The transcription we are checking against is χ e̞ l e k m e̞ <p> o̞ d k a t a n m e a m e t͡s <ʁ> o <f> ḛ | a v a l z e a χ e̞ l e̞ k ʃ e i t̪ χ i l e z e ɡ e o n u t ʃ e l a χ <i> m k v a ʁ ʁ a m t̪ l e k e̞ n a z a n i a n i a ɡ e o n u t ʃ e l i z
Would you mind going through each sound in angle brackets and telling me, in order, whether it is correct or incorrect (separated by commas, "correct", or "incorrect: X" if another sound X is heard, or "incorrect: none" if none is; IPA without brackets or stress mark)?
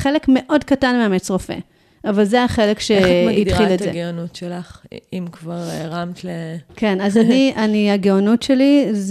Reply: incorrect: ʔ, correct, correct, correct